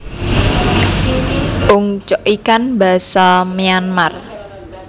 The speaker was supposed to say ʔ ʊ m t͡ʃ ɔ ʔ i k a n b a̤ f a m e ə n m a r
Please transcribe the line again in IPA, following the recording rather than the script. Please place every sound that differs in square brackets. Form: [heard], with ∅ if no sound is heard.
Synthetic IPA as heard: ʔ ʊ [ŋ] t͡ʃ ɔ ʔ i k a n b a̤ [s] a m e [a] n m a r